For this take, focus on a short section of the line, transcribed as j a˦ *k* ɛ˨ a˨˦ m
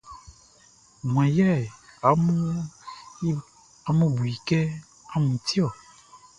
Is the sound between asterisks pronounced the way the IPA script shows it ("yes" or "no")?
no